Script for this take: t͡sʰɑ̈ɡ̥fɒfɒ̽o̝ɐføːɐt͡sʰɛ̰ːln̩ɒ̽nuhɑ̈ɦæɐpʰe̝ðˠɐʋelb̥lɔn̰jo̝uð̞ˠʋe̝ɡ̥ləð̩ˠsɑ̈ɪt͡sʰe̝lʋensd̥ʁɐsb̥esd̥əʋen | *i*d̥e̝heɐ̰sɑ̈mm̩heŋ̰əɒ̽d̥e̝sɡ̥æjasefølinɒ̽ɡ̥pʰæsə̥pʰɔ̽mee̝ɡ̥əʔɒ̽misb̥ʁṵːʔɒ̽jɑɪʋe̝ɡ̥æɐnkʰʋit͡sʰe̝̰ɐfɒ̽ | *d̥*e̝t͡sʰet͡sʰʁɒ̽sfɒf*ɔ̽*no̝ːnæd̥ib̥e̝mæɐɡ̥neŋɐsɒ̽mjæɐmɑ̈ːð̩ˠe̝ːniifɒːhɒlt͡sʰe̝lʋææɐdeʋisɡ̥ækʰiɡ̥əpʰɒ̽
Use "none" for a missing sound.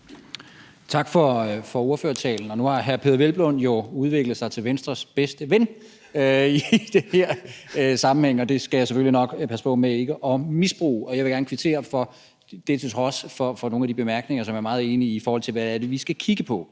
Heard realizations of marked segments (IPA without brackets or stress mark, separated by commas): i, d̥, ɒ̽